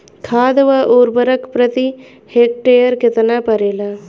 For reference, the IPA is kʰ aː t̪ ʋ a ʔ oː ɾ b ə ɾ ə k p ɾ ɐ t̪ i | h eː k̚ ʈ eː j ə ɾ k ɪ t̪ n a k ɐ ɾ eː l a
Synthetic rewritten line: kʰ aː d̪ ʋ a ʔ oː ɾ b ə ɾ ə k p ɾ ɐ t̪ i | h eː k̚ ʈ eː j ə ɾ k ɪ t̪ n a p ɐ ɾ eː l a